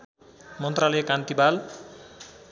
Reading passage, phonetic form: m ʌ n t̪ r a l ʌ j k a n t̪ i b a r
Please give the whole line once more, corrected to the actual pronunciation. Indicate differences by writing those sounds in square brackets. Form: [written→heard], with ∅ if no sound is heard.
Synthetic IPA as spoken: m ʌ n t̪ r a l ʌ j k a n t̪ i b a [r→l]